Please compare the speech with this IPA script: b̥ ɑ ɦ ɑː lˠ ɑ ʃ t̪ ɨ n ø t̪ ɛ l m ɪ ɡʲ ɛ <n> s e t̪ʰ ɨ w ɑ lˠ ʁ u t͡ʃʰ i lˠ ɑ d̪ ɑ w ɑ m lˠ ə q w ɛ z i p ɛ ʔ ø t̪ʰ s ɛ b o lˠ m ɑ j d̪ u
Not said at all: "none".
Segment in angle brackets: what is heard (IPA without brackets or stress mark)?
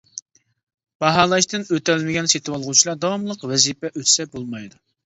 n